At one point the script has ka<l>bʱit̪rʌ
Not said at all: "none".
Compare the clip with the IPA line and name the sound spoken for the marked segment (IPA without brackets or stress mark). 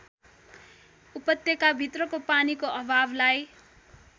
none